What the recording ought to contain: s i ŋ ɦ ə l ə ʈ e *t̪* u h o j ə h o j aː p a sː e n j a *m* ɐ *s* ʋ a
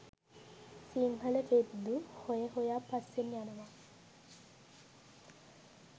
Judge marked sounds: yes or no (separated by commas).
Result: no, no, no